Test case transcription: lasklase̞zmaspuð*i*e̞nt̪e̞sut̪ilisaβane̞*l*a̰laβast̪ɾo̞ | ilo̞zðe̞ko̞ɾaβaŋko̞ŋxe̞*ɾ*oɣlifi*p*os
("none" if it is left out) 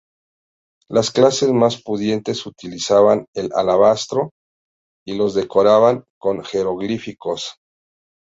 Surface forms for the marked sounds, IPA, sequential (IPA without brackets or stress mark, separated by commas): j, l, ɾ, k